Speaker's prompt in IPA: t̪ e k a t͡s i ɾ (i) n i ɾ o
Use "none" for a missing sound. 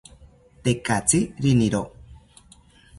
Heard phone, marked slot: i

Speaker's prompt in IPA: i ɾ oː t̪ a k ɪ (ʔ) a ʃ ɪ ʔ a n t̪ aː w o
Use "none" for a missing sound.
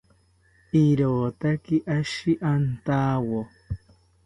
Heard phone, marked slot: ʔ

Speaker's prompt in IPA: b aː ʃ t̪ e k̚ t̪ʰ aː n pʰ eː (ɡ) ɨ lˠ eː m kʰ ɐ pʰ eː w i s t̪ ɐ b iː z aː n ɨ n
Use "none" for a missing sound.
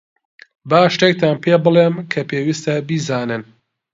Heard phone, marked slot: b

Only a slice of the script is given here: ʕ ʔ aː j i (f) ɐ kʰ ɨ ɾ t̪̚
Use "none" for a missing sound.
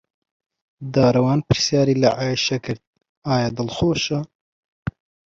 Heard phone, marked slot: ʃ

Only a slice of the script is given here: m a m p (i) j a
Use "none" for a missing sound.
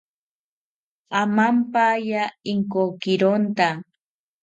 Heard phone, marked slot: a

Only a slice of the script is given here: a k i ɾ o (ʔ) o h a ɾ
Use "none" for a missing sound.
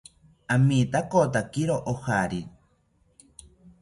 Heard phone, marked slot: ʔ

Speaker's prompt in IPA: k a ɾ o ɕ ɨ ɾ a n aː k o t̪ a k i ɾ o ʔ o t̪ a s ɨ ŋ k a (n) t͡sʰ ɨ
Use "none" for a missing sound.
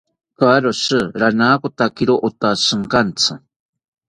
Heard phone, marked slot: n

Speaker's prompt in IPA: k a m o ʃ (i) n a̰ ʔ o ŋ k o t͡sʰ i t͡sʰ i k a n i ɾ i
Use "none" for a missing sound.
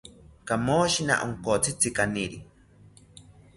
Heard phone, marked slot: i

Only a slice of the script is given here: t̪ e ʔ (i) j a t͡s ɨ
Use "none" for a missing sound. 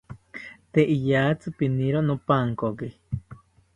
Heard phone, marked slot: i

